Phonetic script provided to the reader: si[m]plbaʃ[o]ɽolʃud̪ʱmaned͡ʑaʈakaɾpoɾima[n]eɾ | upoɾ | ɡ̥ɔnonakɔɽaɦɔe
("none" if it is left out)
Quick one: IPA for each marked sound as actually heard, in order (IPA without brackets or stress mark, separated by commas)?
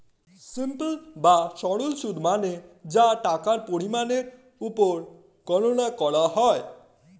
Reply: m, ɔ, n